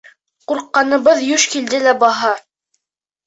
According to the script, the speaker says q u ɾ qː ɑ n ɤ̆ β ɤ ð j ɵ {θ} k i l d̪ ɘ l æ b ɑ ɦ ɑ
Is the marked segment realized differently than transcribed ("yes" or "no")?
yes